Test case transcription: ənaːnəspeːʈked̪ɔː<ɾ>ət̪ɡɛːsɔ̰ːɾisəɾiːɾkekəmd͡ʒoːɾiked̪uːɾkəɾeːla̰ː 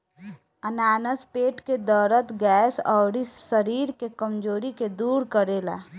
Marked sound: correct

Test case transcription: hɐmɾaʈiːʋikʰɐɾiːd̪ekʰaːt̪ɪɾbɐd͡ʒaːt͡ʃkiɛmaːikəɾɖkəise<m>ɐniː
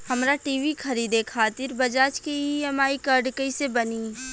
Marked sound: incorrect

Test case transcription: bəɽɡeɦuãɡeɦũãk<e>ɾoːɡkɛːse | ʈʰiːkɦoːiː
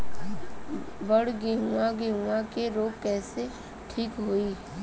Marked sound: correct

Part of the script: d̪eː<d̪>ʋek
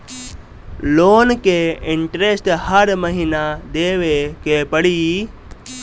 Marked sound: incorrect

